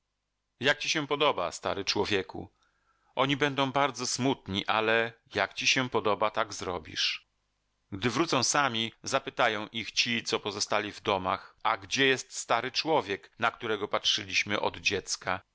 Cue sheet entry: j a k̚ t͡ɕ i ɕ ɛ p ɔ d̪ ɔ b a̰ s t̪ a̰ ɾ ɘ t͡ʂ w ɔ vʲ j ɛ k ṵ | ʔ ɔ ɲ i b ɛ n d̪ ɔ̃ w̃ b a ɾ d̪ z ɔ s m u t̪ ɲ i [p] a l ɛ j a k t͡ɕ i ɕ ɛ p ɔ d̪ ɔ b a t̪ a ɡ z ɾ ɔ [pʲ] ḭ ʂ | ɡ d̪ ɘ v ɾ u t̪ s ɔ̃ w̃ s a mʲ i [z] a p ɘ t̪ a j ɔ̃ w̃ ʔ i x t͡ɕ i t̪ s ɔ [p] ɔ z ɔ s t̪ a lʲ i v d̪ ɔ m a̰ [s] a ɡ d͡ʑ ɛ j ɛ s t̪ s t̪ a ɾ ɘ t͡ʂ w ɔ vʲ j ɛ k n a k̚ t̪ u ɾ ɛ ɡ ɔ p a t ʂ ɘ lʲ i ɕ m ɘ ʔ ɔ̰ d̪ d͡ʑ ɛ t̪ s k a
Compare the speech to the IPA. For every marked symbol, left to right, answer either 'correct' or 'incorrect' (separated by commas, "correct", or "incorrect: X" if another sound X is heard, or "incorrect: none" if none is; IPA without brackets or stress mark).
incorrect: ʔ, incorrect: bʲ, correct, correct, incorrect: x